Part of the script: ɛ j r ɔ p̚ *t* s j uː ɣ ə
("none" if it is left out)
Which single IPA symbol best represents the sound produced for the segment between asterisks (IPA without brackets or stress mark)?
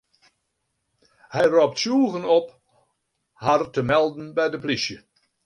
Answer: t